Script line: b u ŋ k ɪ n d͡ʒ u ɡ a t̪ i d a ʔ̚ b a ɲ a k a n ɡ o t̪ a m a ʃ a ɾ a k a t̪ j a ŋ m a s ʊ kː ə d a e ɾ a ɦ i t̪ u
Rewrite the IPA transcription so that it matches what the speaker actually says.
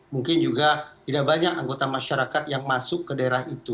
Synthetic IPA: m u ŋ k ɪ n d͡ʒ u ɡ a t̪ i d a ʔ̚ b a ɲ a k a ŋ ɡ o t̪ a m a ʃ a ɾ a k a t̪ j a ŋ m a s ʊ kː ə d a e ɾ a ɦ i t̪ u